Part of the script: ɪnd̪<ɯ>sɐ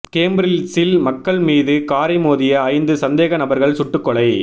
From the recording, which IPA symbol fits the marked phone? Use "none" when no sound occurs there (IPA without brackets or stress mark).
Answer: ɯ